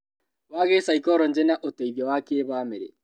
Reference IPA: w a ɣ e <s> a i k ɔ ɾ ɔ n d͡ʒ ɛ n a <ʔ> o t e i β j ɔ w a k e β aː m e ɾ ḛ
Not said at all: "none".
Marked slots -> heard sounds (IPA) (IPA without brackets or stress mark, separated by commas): s, ʔ